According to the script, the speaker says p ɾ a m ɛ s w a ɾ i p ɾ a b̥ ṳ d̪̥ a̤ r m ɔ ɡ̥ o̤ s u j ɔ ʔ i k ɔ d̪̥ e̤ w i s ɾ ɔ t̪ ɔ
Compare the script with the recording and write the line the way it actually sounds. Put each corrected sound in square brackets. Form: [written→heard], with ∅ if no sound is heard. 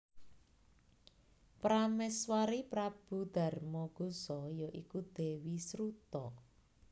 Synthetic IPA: p ɾ a m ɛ s w a ɾ i p ɾ a b̥ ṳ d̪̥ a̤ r m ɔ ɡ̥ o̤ s [u→ɔ] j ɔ ʔ i k [ɔ→u] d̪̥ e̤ w i s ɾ [ɔ→u] t̪ ɔ